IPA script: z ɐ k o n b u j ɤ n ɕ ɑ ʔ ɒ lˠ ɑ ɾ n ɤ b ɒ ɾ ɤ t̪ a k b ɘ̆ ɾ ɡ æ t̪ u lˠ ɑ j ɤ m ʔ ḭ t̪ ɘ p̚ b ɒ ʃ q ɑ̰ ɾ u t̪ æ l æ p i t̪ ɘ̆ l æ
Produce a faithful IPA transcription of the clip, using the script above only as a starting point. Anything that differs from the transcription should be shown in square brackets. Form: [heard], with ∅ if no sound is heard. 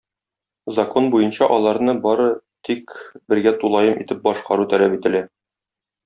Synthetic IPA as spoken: z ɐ k o n b u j ɤ n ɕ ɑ ʔ ɒ lˠ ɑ ɾ n ɤ b ɒ ɾ ɤ t̪ [i] k b ɘ̆ ɾ ɡ æ t̪ u lˠ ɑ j ɤ m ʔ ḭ t̪ ɘ p̚ b ɒ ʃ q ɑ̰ ɾ u t̪ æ l æ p i t̪ ɘ̆ l æ